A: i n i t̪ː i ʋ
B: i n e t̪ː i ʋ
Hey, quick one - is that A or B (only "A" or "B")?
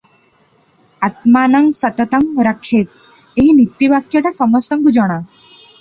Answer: A